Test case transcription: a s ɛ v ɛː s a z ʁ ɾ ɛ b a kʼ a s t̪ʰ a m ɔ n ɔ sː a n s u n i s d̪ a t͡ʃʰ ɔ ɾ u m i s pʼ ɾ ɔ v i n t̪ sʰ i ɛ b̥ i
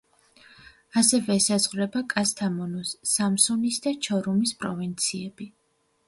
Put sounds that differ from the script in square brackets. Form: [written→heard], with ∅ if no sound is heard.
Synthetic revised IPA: a s ɛ v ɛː s a z ʁ ɾ ɛ b a kʼ a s t̪ʰ a m ɔ n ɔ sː a [n→m] s u n i s d̪ a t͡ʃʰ ɔ ɾ u m i s pʼ ɾ ɔ v i n t̪ sʰ i ɛ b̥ i